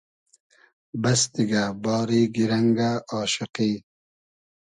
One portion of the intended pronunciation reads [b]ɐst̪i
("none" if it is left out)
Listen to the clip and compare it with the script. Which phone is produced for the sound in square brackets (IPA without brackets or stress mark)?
b